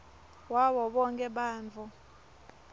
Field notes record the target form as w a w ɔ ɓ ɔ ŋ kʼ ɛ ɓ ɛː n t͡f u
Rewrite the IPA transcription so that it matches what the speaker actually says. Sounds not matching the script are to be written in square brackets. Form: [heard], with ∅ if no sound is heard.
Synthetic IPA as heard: w a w ɔ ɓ ɔ ŋ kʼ ɛ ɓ [aː] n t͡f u